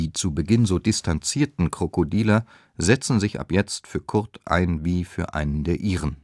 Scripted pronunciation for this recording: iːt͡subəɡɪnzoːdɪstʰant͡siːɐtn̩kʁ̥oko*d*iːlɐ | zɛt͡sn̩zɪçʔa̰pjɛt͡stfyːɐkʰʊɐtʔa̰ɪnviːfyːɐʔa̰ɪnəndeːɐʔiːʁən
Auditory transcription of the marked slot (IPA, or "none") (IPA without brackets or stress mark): d